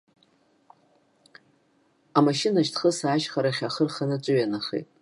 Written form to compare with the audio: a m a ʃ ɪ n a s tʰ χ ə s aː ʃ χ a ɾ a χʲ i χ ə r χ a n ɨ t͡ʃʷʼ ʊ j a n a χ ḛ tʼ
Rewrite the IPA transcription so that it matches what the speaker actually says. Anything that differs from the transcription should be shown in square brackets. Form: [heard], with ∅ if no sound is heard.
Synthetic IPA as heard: a m a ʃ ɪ n a [ʃ] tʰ χ ə s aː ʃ χ a ɾ a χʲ [a] χ ə r χ a n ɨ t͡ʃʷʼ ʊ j a n a χ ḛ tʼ